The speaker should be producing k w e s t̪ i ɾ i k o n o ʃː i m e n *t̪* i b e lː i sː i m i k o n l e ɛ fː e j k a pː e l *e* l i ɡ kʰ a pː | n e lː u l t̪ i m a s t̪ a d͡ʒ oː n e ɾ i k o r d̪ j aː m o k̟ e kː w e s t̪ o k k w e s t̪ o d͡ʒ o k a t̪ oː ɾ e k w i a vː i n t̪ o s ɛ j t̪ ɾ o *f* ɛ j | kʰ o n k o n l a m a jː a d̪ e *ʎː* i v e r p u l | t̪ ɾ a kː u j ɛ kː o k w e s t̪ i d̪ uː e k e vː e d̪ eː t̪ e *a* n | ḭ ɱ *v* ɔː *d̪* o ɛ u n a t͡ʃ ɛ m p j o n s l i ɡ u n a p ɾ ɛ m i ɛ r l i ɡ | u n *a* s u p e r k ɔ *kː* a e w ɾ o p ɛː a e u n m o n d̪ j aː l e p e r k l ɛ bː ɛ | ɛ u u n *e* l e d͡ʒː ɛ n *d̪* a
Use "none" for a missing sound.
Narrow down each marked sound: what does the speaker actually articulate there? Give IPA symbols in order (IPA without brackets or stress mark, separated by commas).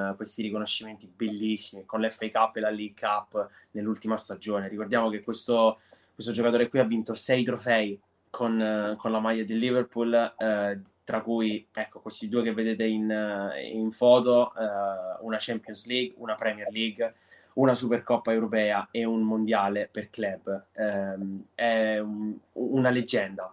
t̪, a, f, lː, i, f, t̪, a, pː, a, d̪